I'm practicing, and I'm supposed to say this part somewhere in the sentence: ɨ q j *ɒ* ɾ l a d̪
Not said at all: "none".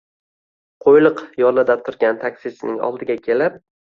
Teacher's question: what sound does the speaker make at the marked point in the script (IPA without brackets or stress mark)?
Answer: ɒ